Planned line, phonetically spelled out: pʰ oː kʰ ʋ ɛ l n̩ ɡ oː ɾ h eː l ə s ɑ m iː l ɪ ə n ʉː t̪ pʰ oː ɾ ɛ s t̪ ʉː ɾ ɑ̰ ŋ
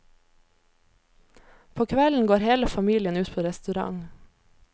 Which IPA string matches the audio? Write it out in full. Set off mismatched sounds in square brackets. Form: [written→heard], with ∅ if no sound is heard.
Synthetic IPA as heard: pʰ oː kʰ ʋ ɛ l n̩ ɡ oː ɾ h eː l ə [s→f] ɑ m iː l ɪ ə n ʉː t̪ pʰ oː ɾ ɛ s t̪ [ʉː→ʉ] ɾ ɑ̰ ŋ